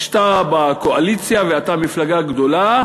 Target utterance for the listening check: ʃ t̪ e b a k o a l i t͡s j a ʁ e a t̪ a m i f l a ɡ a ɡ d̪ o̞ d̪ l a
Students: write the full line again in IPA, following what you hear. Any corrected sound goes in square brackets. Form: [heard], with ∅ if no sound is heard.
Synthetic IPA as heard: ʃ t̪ [a] b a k o a l i t͡s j a [v] e a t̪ a m i f l a ɡ a ɡ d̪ o̞ [∅] l a